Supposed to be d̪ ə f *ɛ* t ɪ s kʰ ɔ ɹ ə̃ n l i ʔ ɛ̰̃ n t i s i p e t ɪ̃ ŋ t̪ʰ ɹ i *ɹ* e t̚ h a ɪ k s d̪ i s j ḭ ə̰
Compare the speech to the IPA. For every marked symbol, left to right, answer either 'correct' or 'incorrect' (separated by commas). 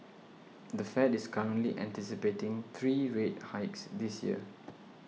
correct, correct